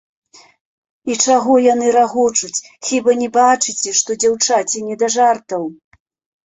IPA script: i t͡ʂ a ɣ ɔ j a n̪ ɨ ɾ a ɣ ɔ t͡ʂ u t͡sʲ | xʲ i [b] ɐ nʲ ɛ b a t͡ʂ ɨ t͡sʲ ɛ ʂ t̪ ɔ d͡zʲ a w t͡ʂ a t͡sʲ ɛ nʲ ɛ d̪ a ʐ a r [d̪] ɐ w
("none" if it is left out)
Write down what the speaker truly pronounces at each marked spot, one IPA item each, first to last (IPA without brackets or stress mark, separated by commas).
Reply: b, t̪